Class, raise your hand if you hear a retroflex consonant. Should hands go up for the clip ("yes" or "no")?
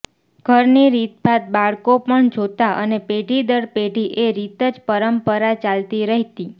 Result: yes